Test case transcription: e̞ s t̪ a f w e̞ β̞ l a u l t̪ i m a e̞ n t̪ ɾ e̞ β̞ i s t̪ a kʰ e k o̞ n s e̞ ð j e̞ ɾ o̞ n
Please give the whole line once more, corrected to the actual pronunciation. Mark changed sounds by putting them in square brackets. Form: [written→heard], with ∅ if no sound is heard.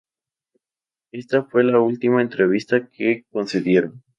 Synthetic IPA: e̞ s t̪ a f w e̞ [β̞→∅] l a u l t̪ i m a e̞ n t̪ ɾ e̞ β̞ i s t̪ a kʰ e k o̞ n s e̞ ð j e̞ ɾ o̞ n